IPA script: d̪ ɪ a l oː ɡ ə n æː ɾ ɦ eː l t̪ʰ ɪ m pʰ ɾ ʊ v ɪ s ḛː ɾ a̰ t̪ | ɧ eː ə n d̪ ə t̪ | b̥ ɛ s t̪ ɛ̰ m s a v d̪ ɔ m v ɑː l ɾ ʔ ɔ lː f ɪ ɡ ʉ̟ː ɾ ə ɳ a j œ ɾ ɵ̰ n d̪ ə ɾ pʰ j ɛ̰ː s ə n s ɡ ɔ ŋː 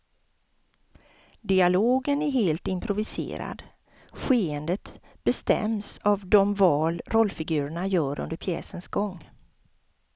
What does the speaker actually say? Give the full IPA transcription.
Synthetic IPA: d̪ ɪ a l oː ɡ ə n æ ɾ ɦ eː l t̪ ɪ m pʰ ɾ ʊ v ɪ s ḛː ɾ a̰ d̪ | ɧ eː ə n d̪ ə t̪ | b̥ ɛ s t̪ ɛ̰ m s a v d̪ ɔ m v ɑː l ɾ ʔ ɔ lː f ɪ ɡ ʉ̟ː ɾ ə ɳ a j œː ɾ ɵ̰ n d̪ ə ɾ pʰ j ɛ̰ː s ə n s ɡ ɔ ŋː